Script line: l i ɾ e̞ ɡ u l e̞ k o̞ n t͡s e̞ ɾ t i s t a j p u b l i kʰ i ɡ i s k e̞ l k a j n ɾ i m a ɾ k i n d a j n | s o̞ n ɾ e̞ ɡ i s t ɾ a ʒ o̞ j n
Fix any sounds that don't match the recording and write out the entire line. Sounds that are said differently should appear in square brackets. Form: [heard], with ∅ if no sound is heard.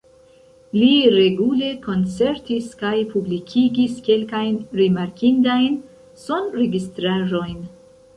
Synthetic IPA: l i ɾ e̞ ɡ u l e̞ k o̞ n t͡s e̞ ɾ t i s [k] a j p u b l i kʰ i ɡ i s k e̞ l k a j n ɾ i m a ɾ k i n d a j n | s o̞ n ɾ e̞ ɡ i s t ɾ a ʒ o̞ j n